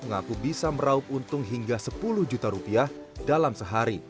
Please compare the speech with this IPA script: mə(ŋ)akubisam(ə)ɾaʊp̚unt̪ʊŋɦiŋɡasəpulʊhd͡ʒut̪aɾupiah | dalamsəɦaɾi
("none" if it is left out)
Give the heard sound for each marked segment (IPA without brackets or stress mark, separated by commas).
ŋ, ə